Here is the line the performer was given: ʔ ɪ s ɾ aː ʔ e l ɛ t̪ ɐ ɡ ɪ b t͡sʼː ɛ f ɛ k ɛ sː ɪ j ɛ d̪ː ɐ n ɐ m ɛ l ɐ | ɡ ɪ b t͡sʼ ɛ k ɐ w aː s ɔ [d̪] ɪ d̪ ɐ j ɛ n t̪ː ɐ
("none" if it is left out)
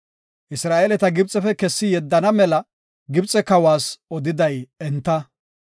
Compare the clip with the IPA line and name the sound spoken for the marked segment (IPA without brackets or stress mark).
d̪